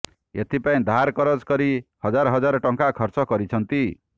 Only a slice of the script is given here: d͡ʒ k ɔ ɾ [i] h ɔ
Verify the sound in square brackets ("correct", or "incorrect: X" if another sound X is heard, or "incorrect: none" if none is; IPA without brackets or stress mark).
correct